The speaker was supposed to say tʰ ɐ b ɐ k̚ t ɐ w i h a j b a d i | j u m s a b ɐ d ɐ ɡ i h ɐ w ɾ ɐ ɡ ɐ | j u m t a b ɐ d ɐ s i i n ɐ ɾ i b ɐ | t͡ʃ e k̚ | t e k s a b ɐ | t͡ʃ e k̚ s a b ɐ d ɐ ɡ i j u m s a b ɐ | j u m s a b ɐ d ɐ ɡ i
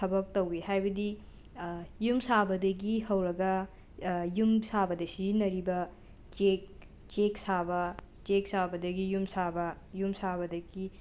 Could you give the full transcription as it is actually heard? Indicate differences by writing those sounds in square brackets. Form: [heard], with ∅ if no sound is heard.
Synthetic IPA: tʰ ɐ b ɐ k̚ t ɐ w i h a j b [ɐ] d i | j u m s a b ɐ d ɐ ɡ i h ɐ w ɾ ɐ ɡ ɐ | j u m [s] a b ɐ d ɐ s i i n ɐ ɾ i b ɐ | t͡ʃ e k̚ | [t͡ʃ] e k s a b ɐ | t͡ʃ e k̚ s a b ɐ d ɐ ɡ i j u m s a b ɐ | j u m s a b ɐ d ɐ ɡ i